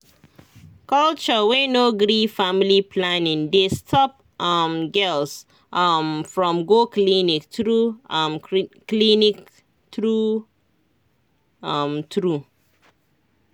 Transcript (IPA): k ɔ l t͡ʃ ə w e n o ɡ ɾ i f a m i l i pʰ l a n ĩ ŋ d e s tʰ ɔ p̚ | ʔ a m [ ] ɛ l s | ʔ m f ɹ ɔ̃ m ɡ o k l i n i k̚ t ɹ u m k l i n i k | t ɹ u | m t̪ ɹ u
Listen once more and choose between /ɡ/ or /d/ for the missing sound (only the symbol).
ɡ